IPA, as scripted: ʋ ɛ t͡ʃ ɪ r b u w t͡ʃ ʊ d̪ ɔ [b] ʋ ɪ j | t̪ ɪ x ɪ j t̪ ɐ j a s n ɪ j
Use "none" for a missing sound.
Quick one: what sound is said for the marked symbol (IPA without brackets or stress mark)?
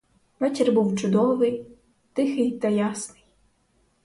none